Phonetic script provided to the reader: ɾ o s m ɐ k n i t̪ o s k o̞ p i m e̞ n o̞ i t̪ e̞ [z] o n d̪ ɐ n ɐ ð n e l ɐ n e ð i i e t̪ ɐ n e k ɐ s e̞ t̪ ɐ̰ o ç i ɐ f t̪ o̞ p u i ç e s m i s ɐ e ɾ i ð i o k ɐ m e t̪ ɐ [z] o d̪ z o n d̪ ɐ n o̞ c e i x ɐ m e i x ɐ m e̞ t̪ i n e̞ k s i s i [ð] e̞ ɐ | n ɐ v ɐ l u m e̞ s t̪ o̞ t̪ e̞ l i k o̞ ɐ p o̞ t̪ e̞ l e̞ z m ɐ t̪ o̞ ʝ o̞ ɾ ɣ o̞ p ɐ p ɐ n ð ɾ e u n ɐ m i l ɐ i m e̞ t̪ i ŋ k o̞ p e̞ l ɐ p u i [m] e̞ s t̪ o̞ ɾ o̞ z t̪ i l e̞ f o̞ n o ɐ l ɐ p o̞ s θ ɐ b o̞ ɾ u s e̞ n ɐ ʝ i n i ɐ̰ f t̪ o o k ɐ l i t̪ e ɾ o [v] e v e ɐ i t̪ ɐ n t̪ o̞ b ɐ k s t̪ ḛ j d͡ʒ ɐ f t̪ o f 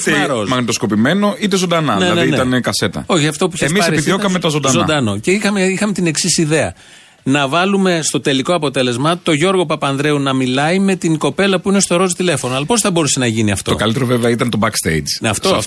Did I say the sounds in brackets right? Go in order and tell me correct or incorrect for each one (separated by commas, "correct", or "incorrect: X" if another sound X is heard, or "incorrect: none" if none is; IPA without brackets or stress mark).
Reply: correct, correct, correct, incorrect: n, correct